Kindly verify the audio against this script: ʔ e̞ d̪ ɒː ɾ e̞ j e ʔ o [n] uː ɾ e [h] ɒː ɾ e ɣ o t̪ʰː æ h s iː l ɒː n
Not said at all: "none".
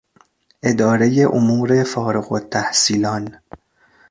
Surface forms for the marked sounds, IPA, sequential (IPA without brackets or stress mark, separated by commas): m, f